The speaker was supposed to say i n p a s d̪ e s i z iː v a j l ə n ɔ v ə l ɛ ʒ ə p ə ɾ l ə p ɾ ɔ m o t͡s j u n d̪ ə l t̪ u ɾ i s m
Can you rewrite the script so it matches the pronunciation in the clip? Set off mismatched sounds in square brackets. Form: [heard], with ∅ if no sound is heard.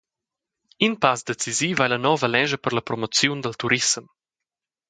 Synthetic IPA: i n p a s d̪ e [t͡s] i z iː v a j l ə n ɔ v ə l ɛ ʒ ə p ə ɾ l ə p ɾ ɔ m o t͡s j u n d̪ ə l t̪ u ɾ i s m